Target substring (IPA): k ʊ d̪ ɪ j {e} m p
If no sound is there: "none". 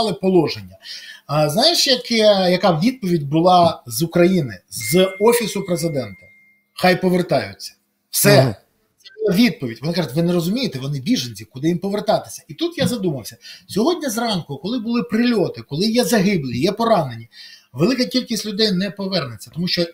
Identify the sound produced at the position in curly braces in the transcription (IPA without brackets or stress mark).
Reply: i